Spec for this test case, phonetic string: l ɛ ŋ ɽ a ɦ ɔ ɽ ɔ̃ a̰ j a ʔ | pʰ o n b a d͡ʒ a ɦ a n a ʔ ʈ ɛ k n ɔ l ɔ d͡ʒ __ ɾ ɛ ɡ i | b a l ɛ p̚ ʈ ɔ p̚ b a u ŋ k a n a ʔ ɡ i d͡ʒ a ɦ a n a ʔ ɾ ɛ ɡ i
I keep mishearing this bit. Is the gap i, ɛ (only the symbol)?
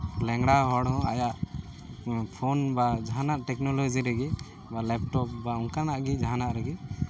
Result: i